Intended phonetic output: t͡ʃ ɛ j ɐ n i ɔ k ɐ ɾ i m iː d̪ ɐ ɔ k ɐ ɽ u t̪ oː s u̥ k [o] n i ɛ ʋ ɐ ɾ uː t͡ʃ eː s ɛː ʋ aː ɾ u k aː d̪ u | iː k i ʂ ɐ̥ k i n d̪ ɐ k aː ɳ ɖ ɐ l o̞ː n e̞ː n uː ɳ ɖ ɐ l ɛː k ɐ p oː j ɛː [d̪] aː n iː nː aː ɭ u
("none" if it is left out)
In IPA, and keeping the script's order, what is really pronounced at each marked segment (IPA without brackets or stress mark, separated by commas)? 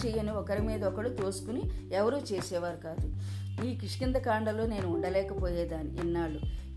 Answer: u, d̪